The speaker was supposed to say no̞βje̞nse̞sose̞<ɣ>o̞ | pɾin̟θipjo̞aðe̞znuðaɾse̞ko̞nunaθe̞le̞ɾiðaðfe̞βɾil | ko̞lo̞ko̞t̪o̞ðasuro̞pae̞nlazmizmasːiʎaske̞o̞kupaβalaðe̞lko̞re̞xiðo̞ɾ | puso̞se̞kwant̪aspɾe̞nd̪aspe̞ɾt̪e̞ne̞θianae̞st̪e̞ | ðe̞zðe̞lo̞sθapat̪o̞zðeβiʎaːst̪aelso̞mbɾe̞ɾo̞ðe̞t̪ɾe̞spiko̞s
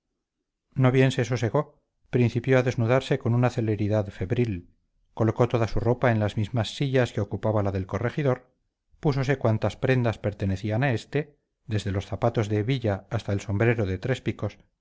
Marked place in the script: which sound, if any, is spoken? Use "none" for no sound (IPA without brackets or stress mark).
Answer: ɣ